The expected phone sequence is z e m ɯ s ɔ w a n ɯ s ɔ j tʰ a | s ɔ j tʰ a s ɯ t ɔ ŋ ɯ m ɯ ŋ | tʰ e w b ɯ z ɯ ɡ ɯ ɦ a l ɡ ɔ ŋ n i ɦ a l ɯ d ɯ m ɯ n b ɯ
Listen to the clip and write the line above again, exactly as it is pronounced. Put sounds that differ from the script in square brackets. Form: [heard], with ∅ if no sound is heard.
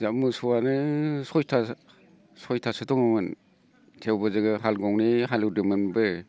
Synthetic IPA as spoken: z [a] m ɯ s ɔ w a n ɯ s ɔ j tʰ a | s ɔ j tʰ a s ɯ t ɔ ŋ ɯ m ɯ [n] | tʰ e w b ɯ z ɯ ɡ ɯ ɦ a l ɡ ɔ ŋ n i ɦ a l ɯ d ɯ m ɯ n b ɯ